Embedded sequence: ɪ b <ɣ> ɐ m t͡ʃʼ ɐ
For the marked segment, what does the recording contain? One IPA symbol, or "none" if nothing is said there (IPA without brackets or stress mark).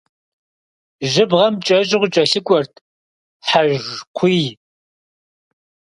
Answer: ʁ